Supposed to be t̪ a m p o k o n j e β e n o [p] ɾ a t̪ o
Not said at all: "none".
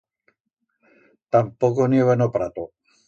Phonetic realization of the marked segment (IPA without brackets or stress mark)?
p